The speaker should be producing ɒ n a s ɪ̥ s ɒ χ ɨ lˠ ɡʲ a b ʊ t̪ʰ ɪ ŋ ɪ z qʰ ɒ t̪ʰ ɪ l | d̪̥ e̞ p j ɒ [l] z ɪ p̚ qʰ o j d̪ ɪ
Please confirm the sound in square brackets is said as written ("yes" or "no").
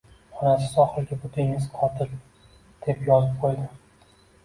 no